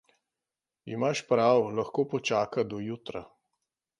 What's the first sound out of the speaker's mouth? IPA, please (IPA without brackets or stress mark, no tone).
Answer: i